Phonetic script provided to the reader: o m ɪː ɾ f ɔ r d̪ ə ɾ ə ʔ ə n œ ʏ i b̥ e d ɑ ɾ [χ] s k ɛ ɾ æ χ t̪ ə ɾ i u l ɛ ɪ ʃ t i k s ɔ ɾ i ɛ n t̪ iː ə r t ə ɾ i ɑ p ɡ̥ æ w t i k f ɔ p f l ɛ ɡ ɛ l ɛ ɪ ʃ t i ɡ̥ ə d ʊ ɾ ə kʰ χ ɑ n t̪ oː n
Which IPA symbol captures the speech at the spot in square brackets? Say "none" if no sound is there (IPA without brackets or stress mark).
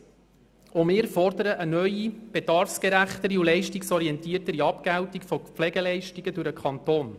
f